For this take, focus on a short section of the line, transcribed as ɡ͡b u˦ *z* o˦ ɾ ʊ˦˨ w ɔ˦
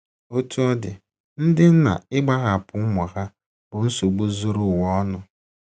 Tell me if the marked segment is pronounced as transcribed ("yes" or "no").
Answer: yes